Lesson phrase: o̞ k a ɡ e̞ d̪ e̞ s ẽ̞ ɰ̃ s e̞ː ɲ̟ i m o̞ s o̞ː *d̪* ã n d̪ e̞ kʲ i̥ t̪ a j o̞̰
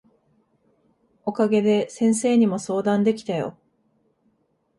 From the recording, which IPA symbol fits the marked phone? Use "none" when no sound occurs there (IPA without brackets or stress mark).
d̪